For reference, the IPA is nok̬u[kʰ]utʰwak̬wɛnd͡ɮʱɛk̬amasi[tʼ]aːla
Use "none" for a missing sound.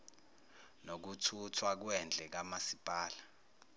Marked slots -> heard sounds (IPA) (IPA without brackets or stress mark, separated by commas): tʰ, pʼ